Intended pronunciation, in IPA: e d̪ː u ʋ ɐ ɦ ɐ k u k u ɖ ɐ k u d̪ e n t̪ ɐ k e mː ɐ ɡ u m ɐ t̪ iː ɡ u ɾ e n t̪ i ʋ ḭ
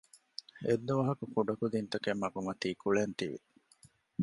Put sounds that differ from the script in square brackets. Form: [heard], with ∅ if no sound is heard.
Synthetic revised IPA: e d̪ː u ʋ ɐ ɦ ɐ k u k u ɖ ɐ k u d̪ [i] n t̪ ɐ k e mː ɐ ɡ u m ɐ t̪ iː [k] u [ɭ] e n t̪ i ʋ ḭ